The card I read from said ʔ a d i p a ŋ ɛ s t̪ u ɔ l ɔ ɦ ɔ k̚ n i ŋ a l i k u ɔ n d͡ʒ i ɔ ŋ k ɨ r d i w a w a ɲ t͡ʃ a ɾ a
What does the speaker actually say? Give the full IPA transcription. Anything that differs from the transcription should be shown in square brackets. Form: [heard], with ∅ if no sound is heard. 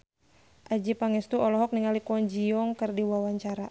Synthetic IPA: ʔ a [d͡ʒ] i p a ŋ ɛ s t̪ u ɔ l ɔ ɦ ɔ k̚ n i ŋ a l i k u ɔ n d͡ʒ i ɔ ŋ k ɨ r d i w a w a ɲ t͡ʃ a ɾ a